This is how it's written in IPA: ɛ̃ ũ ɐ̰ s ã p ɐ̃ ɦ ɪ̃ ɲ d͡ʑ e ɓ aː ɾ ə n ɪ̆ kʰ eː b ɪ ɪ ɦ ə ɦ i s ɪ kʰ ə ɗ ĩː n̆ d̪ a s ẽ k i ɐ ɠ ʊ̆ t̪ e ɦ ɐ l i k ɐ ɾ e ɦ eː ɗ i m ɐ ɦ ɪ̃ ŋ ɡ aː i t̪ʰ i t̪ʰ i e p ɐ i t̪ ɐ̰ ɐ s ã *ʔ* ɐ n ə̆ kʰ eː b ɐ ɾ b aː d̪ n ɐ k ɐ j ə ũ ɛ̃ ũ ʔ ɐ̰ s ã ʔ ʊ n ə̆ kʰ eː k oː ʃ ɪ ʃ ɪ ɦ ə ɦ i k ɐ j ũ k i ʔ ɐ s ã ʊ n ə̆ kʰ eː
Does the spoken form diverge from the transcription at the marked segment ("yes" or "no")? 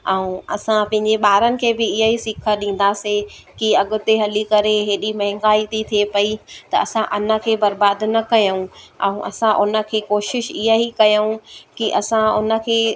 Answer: no